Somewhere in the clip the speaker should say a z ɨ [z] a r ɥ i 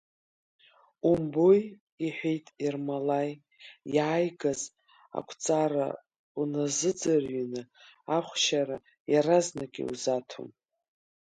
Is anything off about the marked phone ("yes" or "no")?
yes